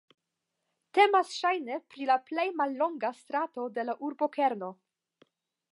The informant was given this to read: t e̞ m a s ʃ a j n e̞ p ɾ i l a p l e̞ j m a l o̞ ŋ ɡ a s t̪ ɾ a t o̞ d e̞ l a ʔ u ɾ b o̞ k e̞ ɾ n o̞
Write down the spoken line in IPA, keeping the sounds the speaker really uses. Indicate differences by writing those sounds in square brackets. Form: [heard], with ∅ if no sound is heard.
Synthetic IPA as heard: t e̞ m a s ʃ a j n e̞ p ɾ i l a p l e̞ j m a [lː] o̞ ŋ ɡ a s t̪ ɾ a t o̞ d e̞ l a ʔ u ɾ b o̞ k e̞ ɾ n o̞